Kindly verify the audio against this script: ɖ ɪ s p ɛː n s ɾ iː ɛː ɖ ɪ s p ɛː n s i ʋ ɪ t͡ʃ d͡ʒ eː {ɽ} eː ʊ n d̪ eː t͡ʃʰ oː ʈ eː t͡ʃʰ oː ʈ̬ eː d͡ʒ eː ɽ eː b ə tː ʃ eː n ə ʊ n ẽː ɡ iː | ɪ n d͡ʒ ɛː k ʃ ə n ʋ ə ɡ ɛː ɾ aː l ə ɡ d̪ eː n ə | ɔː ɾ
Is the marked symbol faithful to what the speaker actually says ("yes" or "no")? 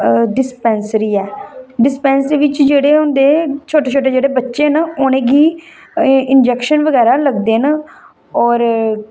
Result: yes